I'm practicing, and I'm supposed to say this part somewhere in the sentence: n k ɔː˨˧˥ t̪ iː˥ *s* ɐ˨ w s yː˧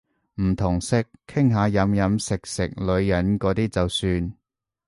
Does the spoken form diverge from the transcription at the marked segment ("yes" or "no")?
yes